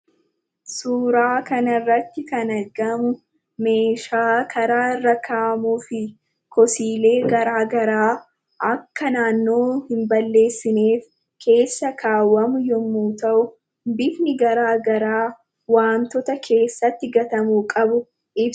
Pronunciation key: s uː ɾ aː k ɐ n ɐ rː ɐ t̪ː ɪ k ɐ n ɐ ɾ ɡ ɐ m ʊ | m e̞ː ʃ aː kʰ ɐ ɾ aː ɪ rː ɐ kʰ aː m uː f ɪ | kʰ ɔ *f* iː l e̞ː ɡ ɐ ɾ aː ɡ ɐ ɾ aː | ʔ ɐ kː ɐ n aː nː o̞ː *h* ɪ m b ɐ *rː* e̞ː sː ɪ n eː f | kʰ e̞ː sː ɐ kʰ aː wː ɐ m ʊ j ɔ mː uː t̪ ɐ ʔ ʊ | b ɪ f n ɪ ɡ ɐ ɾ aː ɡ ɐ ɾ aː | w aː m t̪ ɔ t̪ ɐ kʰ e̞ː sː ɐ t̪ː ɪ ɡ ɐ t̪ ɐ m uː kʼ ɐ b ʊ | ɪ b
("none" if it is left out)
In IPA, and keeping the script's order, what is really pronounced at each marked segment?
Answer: s, h, lː

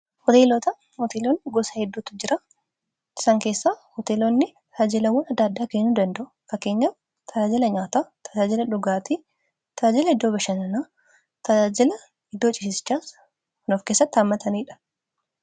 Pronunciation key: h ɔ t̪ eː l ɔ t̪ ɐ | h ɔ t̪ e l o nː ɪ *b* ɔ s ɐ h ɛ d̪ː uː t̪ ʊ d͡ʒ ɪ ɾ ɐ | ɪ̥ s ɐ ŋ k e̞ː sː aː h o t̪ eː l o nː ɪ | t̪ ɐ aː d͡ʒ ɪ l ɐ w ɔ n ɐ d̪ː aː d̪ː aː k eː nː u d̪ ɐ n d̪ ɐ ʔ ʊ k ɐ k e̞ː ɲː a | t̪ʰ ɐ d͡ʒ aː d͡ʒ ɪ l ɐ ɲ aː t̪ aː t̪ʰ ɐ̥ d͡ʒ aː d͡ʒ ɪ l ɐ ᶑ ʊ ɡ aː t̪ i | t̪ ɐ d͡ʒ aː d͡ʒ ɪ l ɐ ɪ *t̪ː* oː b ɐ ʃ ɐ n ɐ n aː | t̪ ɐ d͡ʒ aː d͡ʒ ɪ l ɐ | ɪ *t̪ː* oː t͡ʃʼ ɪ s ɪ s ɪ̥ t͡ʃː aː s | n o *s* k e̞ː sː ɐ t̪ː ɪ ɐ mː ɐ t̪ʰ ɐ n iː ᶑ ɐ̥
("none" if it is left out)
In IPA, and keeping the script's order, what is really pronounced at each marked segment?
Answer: ɡ, d̪ː, d̪ː, f

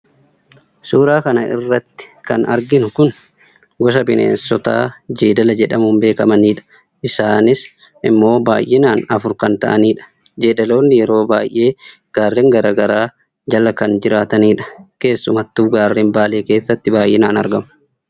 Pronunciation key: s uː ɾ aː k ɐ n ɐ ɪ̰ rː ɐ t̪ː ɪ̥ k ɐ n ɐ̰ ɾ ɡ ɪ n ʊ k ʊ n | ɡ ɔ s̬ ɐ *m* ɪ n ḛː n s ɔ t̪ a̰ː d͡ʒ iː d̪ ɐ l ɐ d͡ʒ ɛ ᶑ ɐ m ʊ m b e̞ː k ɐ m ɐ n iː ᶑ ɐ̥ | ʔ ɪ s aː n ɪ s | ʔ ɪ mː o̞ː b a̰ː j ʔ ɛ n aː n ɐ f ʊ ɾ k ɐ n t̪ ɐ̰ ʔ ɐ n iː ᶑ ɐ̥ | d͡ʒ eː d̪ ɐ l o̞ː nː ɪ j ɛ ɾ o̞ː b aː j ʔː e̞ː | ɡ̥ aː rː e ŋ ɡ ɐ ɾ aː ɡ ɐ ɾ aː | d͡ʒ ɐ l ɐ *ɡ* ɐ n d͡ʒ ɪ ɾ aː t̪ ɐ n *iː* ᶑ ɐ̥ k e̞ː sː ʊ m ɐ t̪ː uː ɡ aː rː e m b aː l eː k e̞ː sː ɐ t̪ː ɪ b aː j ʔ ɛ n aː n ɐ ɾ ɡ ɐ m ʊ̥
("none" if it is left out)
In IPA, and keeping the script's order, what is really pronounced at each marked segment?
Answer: b, k, iː

